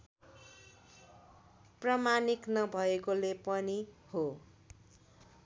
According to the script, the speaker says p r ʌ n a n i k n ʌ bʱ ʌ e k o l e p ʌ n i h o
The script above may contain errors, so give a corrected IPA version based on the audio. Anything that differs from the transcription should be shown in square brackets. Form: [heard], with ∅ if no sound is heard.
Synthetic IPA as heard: p r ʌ [m] a n i k n ʌ bʱ ʌ e k o l e p ʌ n i h o